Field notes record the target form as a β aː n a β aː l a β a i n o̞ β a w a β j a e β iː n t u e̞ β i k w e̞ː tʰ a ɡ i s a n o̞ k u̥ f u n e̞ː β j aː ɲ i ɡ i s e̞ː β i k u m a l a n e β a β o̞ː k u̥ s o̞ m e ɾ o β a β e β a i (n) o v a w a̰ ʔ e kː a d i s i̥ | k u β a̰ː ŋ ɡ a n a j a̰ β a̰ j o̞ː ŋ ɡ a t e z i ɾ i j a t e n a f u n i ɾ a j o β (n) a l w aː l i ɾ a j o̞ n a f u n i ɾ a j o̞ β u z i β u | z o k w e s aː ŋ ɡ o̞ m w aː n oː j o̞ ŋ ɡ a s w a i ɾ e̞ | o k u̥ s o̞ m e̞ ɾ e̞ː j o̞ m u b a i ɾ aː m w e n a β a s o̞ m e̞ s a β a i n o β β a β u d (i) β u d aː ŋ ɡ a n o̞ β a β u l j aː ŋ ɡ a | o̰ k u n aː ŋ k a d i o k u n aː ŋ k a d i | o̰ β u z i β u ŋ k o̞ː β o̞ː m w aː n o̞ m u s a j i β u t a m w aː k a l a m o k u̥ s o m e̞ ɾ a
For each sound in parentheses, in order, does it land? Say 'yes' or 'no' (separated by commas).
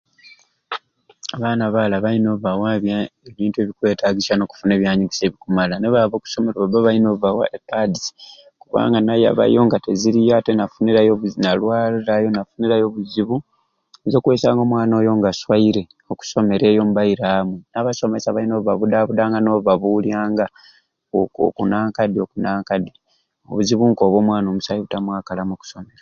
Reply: yes, yes, no